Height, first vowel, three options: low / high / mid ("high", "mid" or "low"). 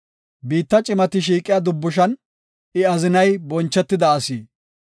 high